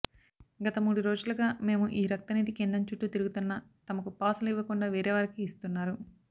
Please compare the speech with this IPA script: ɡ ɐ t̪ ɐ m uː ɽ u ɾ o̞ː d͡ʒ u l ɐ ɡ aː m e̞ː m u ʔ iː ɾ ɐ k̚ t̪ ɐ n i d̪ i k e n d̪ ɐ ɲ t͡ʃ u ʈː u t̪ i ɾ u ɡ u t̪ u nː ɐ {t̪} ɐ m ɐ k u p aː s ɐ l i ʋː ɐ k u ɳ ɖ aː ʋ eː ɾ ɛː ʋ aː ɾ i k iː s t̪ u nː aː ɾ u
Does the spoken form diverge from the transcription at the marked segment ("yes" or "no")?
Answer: no